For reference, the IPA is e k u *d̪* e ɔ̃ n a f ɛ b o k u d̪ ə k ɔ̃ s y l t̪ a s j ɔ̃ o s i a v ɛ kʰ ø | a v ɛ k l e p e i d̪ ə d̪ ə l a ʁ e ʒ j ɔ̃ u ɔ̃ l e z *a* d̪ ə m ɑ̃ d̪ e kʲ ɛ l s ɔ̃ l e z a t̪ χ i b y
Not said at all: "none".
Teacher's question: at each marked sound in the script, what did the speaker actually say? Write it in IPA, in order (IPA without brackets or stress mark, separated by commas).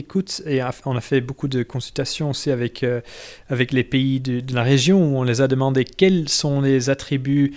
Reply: t̪, a